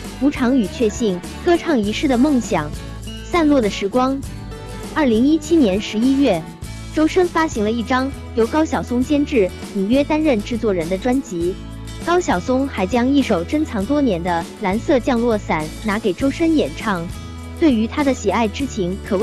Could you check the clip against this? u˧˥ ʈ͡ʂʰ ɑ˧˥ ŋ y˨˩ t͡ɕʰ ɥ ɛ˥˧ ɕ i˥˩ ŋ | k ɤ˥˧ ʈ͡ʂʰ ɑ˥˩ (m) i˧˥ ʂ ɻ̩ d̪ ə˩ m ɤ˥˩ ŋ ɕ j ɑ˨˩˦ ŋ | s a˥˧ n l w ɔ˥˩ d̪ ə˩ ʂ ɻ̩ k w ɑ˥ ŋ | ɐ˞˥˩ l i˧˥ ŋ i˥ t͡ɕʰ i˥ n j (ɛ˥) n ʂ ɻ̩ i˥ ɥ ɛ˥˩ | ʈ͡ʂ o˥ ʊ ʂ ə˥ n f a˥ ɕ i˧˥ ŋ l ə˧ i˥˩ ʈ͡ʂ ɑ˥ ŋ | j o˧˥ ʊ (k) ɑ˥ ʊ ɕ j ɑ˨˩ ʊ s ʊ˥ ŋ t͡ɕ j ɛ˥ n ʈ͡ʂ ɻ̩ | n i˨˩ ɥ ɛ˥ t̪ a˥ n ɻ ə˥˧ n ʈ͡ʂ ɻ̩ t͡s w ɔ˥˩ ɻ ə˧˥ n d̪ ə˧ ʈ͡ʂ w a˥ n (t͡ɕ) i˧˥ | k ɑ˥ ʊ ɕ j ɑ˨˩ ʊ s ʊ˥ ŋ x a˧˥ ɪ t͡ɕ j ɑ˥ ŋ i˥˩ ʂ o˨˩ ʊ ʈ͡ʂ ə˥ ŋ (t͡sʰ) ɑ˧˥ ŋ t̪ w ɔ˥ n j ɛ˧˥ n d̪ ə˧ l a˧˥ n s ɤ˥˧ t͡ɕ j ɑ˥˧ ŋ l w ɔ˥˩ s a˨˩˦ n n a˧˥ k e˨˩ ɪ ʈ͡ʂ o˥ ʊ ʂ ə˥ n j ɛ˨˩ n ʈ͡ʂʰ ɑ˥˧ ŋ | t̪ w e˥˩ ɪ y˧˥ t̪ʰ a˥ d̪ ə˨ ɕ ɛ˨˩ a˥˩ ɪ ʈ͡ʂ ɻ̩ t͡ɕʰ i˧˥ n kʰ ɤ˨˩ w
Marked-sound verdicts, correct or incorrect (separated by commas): incorrect, incorrect, correct, correct, correct